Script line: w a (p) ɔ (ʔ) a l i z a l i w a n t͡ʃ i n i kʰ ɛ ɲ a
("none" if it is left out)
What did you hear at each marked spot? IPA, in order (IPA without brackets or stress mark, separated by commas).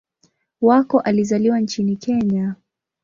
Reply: k, ʔ